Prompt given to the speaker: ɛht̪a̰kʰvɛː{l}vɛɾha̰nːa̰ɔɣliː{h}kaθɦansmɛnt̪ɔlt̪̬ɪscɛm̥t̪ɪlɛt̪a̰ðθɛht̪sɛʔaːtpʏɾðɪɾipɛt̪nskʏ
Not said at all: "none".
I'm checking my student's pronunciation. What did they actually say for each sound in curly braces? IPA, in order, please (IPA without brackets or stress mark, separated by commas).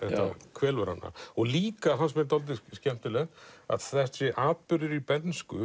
l, none